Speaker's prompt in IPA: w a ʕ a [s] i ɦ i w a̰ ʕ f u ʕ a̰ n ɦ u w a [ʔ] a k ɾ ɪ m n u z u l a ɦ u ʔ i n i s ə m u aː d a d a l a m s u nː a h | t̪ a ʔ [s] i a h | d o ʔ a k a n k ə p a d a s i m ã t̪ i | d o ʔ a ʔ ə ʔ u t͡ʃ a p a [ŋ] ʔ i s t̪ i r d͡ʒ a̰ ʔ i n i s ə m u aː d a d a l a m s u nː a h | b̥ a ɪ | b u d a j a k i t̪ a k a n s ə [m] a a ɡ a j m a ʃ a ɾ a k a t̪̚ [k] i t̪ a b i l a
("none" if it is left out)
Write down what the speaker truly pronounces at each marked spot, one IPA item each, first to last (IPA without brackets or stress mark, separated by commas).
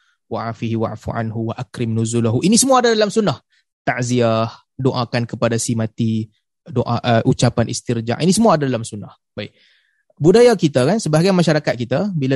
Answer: f, ʔ, z, n, b, k